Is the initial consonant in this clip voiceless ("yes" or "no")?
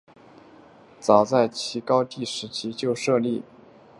yes